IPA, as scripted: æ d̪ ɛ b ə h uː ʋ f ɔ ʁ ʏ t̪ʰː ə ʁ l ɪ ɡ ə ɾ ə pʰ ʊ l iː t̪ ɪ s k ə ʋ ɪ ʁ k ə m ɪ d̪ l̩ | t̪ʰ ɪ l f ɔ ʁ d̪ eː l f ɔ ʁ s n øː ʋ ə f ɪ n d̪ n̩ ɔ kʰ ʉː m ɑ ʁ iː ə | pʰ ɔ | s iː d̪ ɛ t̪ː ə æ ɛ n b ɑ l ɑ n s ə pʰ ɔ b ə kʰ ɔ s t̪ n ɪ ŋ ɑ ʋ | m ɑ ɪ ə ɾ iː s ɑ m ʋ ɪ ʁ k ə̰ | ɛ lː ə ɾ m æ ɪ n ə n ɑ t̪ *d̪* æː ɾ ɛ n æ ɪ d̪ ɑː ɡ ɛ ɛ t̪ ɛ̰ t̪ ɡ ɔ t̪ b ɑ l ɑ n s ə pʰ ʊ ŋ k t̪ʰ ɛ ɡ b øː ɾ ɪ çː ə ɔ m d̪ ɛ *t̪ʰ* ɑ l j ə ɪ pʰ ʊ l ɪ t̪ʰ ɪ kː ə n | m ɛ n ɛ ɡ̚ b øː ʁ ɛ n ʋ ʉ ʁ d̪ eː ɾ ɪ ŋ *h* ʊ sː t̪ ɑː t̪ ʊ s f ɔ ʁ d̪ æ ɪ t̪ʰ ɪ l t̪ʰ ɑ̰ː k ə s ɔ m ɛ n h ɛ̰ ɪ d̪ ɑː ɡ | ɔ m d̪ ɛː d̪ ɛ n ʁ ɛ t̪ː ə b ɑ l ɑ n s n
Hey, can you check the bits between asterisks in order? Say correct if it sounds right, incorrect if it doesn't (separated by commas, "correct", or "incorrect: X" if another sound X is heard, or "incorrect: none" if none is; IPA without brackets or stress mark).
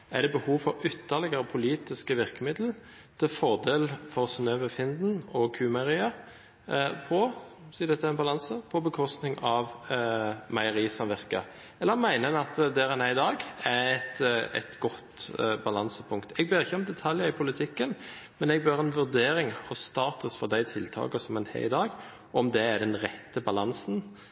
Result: correct, correct, correct